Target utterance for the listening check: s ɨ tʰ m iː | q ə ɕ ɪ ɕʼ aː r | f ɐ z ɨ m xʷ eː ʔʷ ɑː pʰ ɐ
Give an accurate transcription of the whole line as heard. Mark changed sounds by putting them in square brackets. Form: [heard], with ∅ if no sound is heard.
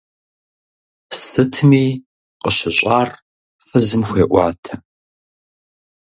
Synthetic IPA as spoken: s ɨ tʰ m iː | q ə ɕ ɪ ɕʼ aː r | f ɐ z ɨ m xʷ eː ʔʷ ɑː [tʰ] ɐ